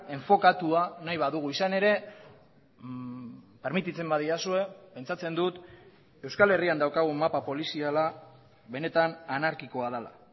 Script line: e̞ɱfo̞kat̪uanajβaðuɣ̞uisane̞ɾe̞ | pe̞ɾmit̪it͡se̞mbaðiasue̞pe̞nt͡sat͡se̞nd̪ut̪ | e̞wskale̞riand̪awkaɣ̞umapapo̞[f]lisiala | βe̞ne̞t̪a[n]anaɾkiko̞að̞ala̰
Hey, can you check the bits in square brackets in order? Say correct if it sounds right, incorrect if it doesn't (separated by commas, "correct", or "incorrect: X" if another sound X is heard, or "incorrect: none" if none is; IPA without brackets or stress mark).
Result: incorrect: none, correct